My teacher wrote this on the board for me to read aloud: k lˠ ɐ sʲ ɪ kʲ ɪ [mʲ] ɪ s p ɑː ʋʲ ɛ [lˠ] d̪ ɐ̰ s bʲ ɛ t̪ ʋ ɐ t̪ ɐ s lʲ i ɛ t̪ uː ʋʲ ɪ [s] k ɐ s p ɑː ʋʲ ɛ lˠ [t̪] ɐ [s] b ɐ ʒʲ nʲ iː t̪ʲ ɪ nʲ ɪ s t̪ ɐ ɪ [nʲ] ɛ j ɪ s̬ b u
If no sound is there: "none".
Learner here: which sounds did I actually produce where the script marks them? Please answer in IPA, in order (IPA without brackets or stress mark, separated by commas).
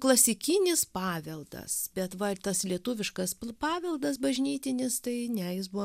nʲ, lˠ, ʃ, d̪, s, nʲ